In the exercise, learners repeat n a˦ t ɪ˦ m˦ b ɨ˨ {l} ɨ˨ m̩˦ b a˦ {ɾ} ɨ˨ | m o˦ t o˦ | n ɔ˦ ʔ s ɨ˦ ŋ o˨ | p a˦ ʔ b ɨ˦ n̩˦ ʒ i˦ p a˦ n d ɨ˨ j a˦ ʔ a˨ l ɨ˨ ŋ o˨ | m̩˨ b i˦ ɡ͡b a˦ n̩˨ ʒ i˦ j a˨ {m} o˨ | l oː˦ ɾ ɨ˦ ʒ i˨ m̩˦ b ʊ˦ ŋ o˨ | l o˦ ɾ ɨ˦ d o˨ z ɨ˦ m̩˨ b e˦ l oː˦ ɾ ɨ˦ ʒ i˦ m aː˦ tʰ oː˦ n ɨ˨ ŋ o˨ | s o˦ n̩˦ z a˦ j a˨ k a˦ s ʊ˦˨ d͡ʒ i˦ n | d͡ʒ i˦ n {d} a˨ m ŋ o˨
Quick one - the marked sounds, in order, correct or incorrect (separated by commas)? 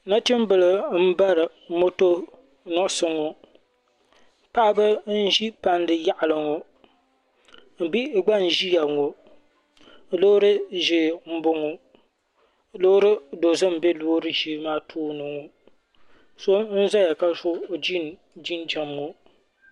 correct, correct, incorrect, incorrect